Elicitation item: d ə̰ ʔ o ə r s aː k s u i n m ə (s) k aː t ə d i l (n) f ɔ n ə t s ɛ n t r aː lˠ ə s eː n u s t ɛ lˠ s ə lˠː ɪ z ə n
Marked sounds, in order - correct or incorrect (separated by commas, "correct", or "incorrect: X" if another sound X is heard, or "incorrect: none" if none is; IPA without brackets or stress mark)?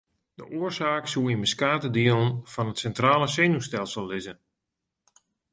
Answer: correct, correct